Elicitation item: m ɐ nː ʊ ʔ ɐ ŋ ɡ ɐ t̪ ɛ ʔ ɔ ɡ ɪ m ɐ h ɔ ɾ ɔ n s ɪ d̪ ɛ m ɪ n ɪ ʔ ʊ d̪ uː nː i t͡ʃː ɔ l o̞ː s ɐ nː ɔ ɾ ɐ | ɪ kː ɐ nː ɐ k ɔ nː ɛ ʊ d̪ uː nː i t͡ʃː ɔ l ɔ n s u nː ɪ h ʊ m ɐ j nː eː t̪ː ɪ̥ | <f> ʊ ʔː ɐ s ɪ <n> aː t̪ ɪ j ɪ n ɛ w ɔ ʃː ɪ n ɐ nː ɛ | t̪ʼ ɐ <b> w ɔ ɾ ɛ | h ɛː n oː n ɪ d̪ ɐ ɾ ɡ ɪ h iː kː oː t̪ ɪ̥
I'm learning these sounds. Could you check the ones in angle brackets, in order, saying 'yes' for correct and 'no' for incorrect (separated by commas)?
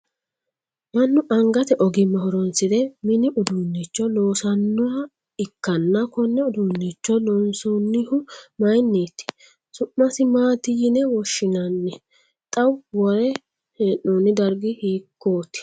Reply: no, no, no